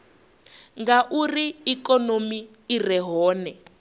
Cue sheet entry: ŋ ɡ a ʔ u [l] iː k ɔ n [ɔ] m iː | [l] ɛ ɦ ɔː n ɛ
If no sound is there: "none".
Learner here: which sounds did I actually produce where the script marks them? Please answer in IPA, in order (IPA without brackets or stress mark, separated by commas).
r, o, r